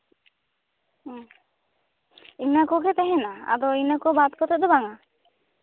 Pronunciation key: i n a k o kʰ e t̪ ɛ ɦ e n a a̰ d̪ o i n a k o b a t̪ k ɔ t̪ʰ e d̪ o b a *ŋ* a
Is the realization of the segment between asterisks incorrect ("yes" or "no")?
no